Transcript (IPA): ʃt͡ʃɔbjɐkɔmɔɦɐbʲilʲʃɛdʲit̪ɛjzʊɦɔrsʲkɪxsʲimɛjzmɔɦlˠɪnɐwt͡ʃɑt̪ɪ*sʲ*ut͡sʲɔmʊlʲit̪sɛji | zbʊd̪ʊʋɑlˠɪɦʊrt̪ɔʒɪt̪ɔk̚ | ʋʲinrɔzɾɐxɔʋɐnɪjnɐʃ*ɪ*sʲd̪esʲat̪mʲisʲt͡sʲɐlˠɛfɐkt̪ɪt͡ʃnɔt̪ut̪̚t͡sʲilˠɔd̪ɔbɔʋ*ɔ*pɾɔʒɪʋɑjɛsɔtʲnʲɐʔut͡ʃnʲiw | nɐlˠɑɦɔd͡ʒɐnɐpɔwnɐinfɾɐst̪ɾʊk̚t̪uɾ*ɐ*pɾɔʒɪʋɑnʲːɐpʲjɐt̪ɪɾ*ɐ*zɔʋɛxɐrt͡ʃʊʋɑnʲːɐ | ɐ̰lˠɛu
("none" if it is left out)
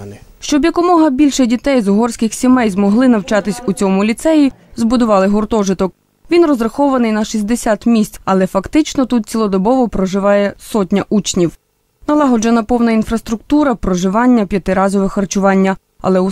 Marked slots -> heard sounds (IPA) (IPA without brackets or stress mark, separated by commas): sʲ, i, ɔ, ɐ, ɑ